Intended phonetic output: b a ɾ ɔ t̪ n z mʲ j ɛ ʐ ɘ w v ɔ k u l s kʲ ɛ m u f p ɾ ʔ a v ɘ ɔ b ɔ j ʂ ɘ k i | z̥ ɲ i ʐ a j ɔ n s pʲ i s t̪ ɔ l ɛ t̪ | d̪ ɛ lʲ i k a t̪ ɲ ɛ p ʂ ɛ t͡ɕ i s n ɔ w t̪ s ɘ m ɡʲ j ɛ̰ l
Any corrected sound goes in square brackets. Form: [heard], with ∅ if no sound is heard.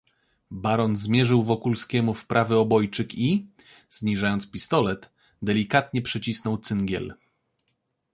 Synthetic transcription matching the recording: b a ɾ ɔ [∅] n z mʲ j ɛ ʐ ɘ w v ɔ k u l s kʲ ɛ m u f p ɾ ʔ a v ɘ ɔ b ɔ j [t͡ʂ] ɘ k i | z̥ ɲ i ʐ a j ɔ n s pʲ i s t̪ ɔ l ɛ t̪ | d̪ ɛ lʲ i k a t̪ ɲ ɛ p ʂ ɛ t͡ɕ i s n ɔ w t̪ s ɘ [ŋ] ɡʲ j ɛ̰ l